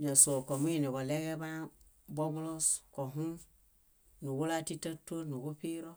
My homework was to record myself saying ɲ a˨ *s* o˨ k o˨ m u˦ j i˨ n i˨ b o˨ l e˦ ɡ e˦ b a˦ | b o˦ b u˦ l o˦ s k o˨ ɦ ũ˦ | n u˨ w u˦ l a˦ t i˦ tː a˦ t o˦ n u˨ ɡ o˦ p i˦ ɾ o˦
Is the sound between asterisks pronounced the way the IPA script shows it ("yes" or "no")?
yes